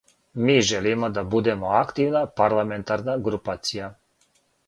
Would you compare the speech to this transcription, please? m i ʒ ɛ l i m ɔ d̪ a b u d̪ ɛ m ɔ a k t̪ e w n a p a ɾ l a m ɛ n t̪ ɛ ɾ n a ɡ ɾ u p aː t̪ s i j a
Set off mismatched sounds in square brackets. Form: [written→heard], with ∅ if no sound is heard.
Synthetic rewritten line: m i ʒ ɛ l i m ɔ d̪ a b u d̪ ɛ m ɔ a k t̪ [e→i] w n a p a ɾ l a m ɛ n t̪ [ɛ→a] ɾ n a ɡ ɾ u p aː t̪ s i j a